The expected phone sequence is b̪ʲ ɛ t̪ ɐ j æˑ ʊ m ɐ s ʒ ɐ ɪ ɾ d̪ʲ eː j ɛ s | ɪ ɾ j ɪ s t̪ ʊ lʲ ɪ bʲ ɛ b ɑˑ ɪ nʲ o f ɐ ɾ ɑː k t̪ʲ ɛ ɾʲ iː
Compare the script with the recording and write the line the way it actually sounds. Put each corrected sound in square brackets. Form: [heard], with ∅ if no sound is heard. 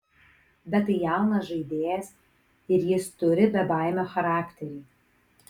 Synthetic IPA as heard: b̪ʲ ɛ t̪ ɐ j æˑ ʊ [n] ɐ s ʒ ɐ ɪ [∅] d̪ʲ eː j ɛ s | ɪ ɾ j ɪ s t̪ ʊ [ɾʲ] ɪ bʲ ɛ b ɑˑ ɪ [mʲ] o [x] ɐ ɾ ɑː k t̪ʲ ɛ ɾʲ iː